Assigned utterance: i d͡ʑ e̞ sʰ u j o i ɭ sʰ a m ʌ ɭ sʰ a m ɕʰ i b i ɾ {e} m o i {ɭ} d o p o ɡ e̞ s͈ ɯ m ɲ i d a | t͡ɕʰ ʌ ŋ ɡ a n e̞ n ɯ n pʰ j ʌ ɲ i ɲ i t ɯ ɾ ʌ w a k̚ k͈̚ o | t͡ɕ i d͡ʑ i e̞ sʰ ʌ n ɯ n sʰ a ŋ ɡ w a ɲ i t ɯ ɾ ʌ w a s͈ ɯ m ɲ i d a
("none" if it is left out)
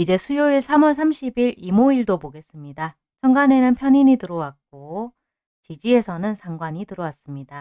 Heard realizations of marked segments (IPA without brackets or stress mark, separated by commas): i, ɭ